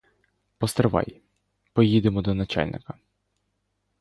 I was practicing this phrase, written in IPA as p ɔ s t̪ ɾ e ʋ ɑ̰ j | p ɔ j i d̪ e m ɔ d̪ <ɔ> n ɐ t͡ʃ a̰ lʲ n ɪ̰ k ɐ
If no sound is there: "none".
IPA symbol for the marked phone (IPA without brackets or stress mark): ɔ